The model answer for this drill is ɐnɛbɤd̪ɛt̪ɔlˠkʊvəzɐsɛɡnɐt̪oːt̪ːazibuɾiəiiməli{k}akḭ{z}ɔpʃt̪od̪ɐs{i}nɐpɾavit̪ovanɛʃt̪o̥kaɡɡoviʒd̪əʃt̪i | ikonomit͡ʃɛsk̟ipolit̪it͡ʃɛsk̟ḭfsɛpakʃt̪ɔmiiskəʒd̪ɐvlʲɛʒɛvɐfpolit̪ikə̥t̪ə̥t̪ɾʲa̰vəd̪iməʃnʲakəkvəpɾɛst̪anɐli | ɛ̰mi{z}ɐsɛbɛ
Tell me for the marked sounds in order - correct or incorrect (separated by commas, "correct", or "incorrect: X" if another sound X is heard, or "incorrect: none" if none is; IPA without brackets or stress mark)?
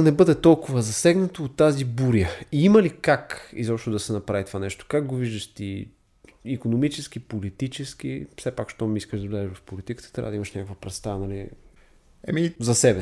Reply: correct, correct, incorrect: ɛ, correct